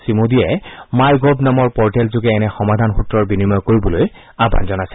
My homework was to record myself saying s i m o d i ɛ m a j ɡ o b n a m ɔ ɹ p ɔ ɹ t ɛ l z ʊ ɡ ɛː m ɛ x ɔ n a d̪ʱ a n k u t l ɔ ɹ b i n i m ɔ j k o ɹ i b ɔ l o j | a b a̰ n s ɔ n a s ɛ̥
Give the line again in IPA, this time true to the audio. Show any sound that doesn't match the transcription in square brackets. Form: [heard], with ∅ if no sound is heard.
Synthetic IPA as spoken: s i m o d i ɛ m a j ɡ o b n a m ɔ ɹ p ɔ ɹ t ɛ l z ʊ ɡ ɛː [n] ɛ x ɔ [m] a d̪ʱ a n [x] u t [ɹ] ɔ ɹ b i n i m ɔ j k o ɹ i b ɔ l o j | a b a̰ n [z] ɔ n a s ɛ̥